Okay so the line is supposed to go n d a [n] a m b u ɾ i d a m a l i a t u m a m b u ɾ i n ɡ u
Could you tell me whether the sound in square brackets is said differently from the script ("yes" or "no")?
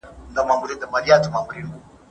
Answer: yes